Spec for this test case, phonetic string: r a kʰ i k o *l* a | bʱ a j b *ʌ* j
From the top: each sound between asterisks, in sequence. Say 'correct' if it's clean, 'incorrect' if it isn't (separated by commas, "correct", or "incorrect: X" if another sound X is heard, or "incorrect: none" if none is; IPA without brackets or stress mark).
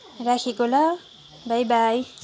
correct, incorrect: a